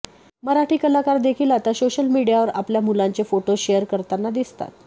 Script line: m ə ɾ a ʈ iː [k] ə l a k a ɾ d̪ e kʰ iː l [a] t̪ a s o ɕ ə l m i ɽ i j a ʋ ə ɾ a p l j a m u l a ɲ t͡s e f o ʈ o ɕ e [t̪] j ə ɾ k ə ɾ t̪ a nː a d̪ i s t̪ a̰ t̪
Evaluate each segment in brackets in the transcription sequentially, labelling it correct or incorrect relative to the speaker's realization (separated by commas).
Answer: correct, correct, incorrect